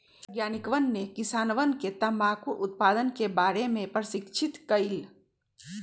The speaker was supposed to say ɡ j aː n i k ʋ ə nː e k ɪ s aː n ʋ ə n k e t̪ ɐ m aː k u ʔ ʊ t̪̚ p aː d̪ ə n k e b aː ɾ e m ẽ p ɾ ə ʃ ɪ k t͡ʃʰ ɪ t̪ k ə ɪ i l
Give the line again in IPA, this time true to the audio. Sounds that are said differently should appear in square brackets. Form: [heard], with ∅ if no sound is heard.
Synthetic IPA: ɡ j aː n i k ʋ ə nː e k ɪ s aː n ʋ ə n k e t̪ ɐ m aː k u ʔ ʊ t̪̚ p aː d̪ ə n k e b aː ɾ e m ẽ p ɾ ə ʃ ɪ k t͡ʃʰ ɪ t̪ k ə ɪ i l